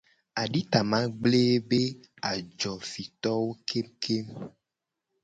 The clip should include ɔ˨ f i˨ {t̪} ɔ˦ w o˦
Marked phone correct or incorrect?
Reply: correct